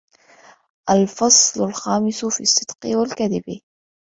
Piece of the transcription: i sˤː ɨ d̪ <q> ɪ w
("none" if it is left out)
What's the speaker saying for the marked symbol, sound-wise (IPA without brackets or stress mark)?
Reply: q